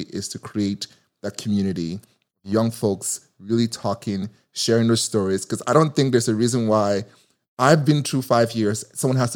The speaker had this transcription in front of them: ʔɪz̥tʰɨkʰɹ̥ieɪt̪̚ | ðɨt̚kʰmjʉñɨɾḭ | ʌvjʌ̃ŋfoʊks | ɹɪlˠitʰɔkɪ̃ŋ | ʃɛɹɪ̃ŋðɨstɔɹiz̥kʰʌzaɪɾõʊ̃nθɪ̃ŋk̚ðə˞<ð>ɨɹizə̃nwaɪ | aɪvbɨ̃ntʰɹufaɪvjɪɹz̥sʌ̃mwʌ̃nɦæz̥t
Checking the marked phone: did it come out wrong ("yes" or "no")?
yes